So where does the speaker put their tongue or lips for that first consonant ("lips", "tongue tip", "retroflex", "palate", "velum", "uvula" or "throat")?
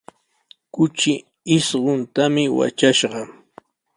velum